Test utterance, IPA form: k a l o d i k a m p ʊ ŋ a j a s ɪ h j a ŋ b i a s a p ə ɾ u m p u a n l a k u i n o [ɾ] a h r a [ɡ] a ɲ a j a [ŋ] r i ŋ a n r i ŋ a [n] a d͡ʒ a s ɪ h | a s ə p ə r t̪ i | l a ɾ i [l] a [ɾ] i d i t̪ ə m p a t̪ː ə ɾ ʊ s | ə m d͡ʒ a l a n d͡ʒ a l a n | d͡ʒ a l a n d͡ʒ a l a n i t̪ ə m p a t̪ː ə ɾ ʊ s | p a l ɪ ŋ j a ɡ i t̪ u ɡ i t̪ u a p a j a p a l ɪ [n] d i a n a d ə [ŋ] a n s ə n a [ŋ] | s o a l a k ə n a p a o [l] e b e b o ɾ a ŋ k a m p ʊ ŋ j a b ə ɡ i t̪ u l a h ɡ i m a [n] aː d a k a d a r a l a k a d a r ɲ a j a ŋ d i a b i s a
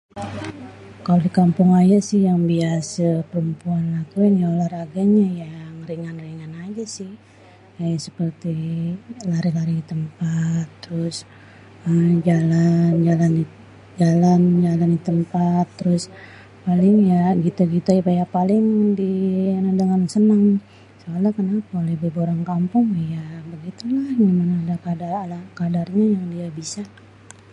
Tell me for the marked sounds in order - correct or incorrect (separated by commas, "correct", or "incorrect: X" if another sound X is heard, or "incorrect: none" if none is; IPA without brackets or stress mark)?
incorrect: l, correct, correct, correct, correct, correct, incorrect: ŋ, correct, correct, correct, correct